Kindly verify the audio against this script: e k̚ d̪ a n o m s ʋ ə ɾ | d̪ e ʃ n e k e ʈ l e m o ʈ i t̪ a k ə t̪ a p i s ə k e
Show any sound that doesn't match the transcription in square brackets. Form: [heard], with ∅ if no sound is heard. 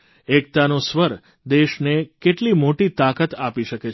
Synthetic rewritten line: e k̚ [t̪] a n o [∅] s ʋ ə ɾ | d̪ e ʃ n e k e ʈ l [i] m o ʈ i t̪ a k ə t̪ a p i [ʃ] ə k e